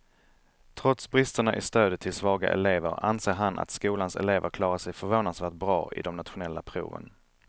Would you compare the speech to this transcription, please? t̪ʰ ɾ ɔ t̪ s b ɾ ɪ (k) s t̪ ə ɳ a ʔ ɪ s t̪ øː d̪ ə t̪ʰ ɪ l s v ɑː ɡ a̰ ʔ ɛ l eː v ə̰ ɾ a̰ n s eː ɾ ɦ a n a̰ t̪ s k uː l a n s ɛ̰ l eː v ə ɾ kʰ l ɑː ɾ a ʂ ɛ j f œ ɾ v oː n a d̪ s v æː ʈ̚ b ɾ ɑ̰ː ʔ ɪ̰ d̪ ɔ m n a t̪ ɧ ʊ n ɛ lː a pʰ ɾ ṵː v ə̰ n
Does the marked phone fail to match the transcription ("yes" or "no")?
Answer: yes